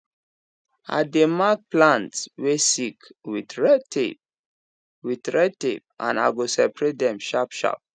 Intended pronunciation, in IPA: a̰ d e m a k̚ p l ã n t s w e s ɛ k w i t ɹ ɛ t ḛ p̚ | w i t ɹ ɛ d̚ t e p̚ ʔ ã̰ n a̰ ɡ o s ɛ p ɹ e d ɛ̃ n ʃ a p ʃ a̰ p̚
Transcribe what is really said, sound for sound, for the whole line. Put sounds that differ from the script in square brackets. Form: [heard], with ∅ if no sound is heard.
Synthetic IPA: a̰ d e m a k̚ p l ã n t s w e s [i] k w i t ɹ ɛ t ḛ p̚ | w i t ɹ ɛ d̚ t e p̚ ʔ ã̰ n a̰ ɡ o s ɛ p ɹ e d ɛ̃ [m] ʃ a p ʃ a̰ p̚